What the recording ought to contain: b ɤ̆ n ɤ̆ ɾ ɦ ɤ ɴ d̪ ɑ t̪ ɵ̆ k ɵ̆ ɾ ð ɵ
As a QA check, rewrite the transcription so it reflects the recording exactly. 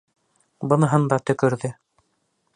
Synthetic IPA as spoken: b ɤ̆ n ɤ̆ ɦ ɤ n d̪ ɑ t̪ ɵ̆ k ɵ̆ ɾ ð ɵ